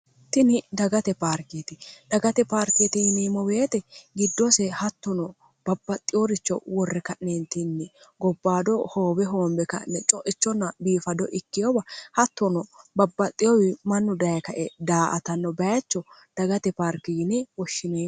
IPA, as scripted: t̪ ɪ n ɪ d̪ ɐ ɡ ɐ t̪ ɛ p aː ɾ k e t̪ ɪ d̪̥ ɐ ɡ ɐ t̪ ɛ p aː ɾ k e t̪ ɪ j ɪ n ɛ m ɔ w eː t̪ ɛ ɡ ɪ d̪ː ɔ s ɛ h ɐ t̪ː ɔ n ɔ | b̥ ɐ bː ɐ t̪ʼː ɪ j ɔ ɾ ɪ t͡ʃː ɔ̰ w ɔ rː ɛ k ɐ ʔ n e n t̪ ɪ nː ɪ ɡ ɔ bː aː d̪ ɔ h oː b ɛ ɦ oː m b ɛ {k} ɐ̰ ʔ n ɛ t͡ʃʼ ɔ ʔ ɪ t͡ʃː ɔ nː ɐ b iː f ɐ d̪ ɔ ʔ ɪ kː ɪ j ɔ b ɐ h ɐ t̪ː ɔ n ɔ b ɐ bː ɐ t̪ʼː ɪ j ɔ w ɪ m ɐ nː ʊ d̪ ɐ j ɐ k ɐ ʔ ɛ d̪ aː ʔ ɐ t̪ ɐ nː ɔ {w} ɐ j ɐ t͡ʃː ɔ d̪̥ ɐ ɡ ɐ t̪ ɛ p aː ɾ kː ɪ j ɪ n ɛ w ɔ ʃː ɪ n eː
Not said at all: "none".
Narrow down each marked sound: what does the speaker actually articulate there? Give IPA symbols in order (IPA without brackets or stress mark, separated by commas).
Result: k, b